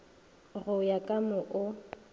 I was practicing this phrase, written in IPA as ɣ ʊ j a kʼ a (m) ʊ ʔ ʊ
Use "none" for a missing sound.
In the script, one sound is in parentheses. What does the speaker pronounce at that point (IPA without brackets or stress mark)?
m